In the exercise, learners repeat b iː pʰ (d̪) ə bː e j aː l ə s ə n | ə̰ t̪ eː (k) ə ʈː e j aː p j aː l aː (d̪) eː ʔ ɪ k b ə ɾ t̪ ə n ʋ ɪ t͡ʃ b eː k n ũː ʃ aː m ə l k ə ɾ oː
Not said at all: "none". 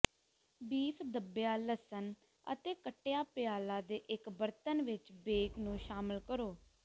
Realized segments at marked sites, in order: d̪, k, d̪

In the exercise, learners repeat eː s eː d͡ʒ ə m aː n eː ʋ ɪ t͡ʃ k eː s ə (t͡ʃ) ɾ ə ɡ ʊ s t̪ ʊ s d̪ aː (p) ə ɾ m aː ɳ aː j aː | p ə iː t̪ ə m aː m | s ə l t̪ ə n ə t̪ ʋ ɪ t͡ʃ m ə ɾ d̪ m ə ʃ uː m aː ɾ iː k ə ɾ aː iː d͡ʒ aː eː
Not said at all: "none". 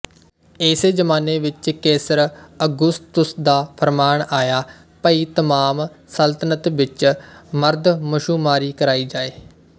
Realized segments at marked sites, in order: none, pʰ

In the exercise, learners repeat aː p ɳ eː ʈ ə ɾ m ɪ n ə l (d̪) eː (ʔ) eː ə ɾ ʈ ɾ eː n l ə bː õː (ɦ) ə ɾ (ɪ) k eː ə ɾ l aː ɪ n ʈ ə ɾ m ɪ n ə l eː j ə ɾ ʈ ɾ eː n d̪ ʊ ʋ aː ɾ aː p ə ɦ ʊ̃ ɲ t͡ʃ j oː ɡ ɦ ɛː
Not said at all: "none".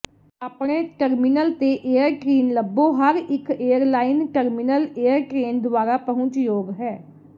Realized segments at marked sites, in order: t̪, ʔ, ɦ, ɪ

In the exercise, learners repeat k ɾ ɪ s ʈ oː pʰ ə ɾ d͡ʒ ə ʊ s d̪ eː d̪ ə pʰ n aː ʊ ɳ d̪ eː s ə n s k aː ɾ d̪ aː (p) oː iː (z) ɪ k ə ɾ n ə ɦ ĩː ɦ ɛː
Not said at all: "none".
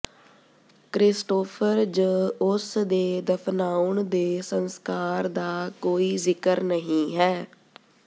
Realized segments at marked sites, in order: k, z

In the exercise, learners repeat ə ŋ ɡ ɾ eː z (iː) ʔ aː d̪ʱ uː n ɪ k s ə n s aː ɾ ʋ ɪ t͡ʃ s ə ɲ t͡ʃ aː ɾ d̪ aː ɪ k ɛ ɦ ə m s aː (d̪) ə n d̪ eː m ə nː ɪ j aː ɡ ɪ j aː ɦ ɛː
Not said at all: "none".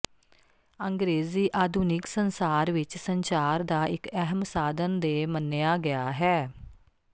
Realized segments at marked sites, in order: iː, d̪

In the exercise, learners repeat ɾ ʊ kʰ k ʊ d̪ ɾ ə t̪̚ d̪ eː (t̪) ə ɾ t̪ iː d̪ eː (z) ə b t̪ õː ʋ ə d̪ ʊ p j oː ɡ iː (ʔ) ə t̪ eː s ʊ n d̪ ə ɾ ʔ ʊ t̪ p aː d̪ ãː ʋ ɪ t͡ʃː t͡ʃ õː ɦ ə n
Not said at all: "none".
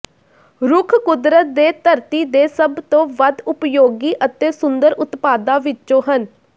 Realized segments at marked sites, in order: t̪, s, ʔ

